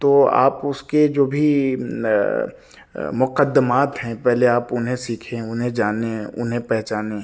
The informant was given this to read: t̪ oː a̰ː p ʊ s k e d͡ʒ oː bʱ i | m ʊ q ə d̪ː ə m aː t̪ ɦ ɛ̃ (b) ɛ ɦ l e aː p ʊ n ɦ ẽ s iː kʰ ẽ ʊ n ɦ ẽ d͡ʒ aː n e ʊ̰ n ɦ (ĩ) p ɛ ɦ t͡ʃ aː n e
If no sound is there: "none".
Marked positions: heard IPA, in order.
p, ẽ

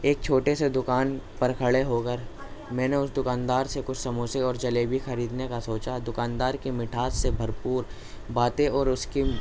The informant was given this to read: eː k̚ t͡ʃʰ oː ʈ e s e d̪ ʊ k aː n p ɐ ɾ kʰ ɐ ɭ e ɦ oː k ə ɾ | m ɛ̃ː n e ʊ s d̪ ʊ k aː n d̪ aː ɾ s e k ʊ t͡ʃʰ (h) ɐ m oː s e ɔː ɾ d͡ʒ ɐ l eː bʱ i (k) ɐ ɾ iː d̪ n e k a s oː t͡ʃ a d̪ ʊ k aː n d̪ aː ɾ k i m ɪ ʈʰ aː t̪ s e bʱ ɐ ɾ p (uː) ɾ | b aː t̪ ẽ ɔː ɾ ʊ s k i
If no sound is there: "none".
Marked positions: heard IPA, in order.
s, x, uː

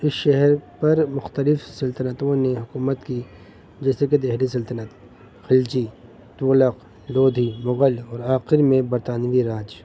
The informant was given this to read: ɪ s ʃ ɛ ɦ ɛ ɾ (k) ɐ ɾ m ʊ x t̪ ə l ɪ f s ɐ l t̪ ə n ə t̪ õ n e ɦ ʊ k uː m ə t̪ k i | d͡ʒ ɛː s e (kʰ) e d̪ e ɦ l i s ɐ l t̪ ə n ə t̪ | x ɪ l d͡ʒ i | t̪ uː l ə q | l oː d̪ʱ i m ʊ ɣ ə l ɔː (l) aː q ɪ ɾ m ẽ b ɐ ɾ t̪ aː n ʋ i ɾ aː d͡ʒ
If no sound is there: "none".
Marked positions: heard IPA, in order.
p, k, ɾ

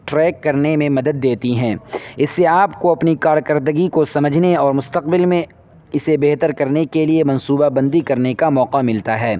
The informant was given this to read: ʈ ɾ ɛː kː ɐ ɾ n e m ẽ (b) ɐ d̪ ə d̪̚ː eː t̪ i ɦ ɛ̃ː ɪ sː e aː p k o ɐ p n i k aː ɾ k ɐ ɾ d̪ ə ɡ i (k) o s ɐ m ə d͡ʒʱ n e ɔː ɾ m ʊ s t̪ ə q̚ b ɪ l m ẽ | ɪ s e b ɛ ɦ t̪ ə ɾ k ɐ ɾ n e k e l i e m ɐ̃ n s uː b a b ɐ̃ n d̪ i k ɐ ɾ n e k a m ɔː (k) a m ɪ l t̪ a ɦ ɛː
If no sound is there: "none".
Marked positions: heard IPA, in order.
m, k, q

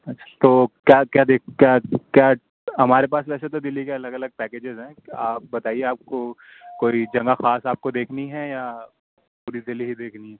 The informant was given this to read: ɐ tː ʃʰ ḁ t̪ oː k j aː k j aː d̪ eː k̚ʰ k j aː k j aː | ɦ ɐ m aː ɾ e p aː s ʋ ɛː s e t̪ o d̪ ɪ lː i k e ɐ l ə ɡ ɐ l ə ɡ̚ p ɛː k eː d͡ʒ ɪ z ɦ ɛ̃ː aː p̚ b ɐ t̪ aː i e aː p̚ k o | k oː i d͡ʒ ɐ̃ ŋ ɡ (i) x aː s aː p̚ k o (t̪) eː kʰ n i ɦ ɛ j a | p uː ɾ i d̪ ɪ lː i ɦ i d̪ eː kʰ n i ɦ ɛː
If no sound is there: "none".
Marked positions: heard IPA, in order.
a, d̪

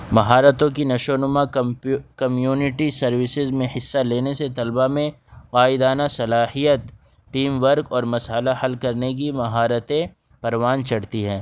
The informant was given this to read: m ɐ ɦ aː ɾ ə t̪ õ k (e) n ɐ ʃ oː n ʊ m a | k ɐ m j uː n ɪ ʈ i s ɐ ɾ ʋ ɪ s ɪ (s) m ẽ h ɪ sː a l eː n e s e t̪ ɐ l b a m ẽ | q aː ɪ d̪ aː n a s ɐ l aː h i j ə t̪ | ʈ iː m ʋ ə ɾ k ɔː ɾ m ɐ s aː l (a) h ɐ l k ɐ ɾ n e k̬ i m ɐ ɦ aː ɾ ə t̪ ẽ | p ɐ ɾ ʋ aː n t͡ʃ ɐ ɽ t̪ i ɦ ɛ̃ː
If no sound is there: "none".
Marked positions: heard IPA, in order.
i, z, a

